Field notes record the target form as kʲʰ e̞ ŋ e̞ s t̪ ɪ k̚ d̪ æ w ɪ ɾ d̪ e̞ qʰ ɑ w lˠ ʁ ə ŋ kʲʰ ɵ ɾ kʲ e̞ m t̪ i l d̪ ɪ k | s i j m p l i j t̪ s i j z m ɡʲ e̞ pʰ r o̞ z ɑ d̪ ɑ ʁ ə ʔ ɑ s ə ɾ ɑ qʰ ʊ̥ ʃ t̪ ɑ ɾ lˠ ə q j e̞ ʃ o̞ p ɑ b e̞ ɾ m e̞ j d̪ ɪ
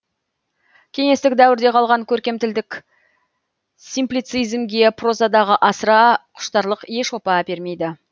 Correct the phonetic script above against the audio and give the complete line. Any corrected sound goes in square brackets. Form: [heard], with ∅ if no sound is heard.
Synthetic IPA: kʲʰ e̞ ŋ e̞ s t̪ ɪ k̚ d̪ æ w ɪ ɾ d̪ e̞ qʰ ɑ [∅] lˠ ʁ [ɑ] ŋ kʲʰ ɵ ɾ kʲ e̞ m t̪ [ɪ] l d̪ ɪ k | s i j m p l i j t̪ s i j z m ɡʲ e̞ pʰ r o̞ z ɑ d̪ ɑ ʁ ə ʔ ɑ s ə ɾ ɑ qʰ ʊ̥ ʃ t̪ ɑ ɾ lˠ ə q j e̞ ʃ o̞ p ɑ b e̞ ɾ m e̞ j d̪ ɪ